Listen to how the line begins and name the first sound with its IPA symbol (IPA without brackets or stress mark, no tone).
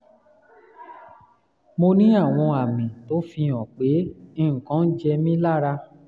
m